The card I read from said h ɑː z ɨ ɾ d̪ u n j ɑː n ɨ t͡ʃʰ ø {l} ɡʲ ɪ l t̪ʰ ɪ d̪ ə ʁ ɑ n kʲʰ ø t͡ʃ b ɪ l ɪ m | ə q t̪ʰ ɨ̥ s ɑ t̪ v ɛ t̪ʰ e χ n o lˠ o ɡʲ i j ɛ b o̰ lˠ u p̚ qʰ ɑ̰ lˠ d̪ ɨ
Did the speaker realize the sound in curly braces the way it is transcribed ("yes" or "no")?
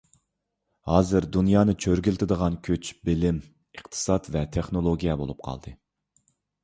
no